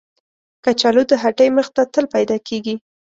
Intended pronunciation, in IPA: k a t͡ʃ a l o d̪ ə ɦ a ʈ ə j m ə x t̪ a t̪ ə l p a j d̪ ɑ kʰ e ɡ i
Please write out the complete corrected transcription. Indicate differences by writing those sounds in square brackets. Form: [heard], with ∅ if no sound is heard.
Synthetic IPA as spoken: k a t͡ʃ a l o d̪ ə ɦ a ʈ ə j m ə x t̪ a t̪ ə l p a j d̪ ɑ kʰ e ɡ i